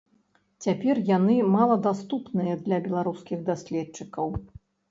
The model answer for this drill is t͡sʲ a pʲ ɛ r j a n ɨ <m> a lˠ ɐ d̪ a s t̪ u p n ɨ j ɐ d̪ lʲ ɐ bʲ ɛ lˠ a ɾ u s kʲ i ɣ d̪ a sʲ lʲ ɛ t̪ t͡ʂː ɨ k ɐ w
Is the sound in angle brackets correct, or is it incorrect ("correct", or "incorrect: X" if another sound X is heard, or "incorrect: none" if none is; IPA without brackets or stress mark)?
correct